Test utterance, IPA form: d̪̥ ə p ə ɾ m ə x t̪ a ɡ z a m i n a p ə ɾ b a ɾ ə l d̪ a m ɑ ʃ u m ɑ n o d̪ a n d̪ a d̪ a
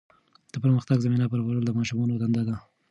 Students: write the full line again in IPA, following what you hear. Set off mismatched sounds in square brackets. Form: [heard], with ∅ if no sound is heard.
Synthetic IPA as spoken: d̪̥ ə p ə ɾ m ə x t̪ a ɡ z a m i n a p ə ɾ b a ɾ ə l d̪ [ə] m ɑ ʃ u m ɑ n o d̪ a n d̪ a d̪ a